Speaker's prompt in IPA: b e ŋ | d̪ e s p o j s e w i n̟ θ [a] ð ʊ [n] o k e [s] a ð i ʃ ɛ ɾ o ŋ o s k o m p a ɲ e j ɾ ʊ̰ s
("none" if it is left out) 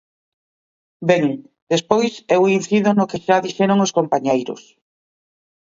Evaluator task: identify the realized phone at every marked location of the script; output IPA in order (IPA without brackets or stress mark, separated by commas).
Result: i, n, ʃ